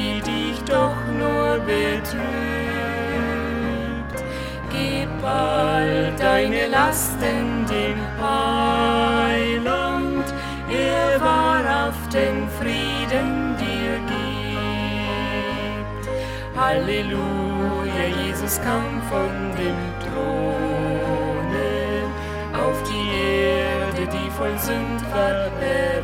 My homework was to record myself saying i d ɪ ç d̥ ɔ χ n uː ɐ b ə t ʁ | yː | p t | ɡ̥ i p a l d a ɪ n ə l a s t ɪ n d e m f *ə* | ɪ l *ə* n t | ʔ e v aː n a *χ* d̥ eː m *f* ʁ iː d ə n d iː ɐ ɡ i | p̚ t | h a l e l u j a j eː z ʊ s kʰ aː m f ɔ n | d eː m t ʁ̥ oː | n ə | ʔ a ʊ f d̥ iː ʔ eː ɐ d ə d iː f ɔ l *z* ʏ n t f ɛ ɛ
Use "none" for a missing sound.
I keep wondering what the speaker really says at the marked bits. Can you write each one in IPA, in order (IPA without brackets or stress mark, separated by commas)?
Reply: a, a, f, f, z